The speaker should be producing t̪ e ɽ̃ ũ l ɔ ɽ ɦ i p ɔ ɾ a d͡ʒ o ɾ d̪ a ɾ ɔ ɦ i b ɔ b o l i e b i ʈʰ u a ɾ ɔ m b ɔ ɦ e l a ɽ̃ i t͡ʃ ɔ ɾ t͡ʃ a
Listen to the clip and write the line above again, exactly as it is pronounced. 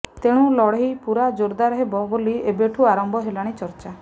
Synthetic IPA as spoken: t̪ e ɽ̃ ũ l ɔ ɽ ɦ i p u ɾ a d͡ʒ o ɾ d̪ a ɾ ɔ ɦ e b ɔ b o l i e b e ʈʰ u a ɾ ɔ m b ɔ ɦ e l a ɽ̃ i t͡ʃ ɔ ɾ t͡ʃ a

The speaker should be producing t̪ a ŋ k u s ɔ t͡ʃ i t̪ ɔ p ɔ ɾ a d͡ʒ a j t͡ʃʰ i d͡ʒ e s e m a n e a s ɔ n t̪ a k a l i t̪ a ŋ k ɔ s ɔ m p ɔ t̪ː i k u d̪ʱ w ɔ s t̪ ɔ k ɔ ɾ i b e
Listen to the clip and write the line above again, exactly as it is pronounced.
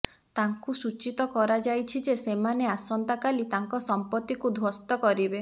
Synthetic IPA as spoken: t̪ a ŋ k u s u t͡ʃ i t̪ ɔ k ɔ ɾ a d͡ʒ a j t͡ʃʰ i d͡ʒ e s e m a n e a s ɔ n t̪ a k a l i t̪ a ŋ k ɔ s ɔ m p ɔ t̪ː i k u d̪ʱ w ɔ s t̪ ɔ k ɔ ɾ i b e

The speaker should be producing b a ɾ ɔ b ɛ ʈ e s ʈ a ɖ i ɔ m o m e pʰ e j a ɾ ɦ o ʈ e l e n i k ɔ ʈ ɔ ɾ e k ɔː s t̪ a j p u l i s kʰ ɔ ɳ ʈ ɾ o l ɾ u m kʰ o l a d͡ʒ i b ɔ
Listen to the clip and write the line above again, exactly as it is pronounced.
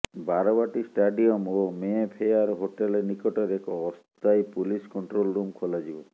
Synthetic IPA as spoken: b a ɾ ɔ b a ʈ i s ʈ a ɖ i ɔ m o m e pʰ e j a ɾ ɦ o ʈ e l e n i k ɔ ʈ ɔ ɾ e k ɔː s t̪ a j p u l i s k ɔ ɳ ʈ ɾ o l ɾ u m kʰ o l a d͡ʒ i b ɔ

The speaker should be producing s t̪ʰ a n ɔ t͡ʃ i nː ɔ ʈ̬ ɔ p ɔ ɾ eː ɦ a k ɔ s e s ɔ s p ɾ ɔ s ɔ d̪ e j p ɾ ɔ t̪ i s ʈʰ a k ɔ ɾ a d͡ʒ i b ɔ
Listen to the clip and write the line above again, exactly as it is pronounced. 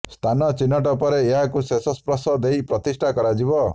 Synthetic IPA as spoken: s t̪ʰ a n ɔ t͡ʃ i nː ɔ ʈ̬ ɔ p ɔ ɾ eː ɦ a k u s e s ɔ s p ɾ ɔ s ɔ d̪ e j p ɾ ɔ t̪ i s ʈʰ a k ɔ ɾ a d͡ʒ i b ɔ

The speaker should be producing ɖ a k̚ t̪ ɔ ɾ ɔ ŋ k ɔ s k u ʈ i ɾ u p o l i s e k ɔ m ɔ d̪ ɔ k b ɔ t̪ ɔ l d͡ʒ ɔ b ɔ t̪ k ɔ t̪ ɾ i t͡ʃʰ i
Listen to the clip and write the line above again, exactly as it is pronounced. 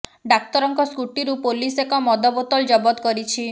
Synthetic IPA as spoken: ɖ a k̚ t̪ ɔ ɾ ɔ ŋ k ɔ s k u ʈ i ɾ u p o l i s e k ɔ m ɔ d̪ ɔ b ɔ t̪ ɔ l d͡ʒ ɔ b ɔ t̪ k ɔ ɾ i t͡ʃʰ i

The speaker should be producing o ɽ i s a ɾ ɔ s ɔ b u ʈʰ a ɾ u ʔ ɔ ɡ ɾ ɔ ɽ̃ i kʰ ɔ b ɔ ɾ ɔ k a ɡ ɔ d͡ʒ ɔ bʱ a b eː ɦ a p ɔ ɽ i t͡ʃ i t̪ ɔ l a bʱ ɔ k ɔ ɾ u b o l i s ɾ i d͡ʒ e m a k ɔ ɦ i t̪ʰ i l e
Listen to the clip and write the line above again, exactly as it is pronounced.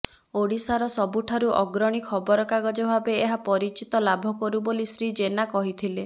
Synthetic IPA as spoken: o ɽ i s a ɾ ɔ s ɔ b u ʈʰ a ɾ u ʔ ɔ ɡ ɾ ɔ ɽ̃ i kʰ ɔ b ɔ ɾ ɔ k a ɡ ɔ d͡ʒ ɔ bʱ a b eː ɦ a p ɔ ɾ i t͡ʃ i t̪ ɔ l a bʱ ɔ k ɔ ɾ u b o l i s ɾ i d͡ʒ e n a k ɔ ɦ i t̪ʰ i l e

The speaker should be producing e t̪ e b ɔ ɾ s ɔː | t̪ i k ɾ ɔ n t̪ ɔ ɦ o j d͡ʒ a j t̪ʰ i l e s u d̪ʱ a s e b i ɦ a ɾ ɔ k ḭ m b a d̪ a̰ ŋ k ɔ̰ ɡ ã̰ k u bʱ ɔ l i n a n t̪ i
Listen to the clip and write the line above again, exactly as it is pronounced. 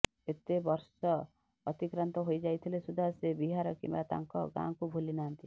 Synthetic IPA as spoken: e t̪ e b ɔ ɾ s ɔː | t̪ i k ɾ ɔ n t̪ ɔ ɦ o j d͡ʒ a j t̪ʰ i l e s u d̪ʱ a s e b i ɦ a ɾ ɔ k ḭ m b a t̪ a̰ ŋ k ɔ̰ ɡ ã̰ k u bʱ u l i n a n t̪ i

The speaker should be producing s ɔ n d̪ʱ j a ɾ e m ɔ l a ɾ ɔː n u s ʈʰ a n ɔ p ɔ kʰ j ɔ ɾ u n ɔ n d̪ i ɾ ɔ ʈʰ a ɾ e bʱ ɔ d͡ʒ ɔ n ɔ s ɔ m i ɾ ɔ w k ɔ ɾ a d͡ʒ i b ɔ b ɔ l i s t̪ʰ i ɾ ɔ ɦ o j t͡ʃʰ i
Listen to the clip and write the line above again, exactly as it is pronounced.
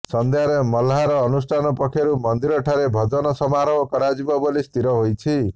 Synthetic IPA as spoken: s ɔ n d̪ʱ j a ɾ e m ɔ l a ɾ ɔː n u s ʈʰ a n ɔ p ɔ kʰ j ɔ ɾ u m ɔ n d̪ i ɾ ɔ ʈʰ a ɾ e bʱ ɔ d͡ʒ ɔ n ɔ s ɔ m a ɾ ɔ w k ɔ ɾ a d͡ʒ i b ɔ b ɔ l i s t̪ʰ i ɾ ɔ ɦ o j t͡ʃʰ i

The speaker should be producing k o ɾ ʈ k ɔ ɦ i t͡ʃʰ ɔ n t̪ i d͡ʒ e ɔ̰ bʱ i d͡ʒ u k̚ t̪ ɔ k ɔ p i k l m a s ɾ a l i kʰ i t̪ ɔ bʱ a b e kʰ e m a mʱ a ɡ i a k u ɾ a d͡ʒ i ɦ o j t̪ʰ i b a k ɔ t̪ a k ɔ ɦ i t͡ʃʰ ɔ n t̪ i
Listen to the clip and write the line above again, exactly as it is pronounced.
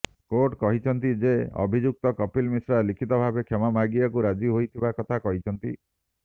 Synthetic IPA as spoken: k o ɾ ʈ k ɔ ɦ i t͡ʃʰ ɔ n t̪ i d͡ʒ e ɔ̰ bʱ i d͡ʒ u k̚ t̪ ɔ k ɔ p i l m i s ɾ a l i kʰ i t̪ ɔ bʱ a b e kʰ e m a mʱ a ɡ i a k u ɾ a d͡ʒ i ɦ o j t̪ʰ i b a k ɔ t̪ʰ a k ɔ ɦ i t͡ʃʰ ɔ n t̪ i

